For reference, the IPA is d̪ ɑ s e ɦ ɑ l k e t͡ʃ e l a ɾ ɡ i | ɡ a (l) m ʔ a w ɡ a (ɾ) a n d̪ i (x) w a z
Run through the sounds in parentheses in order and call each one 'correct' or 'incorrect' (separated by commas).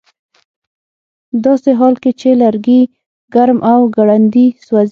incorrect, incorrect, incorrect